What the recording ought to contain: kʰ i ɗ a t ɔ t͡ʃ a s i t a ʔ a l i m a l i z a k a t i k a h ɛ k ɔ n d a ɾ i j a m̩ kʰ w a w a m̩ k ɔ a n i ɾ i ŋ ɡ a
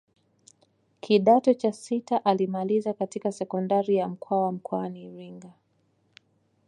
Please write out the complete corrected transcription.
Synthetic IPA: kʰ i ɗ a t ɔ t͡ʃ a s i t a ʔ a l i m a l i z a k a t i k a s ɛ k ɔ n d a ɾ i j a m̩ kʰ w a w a m̩ k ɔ a n i ɾ i ŋ ɡ a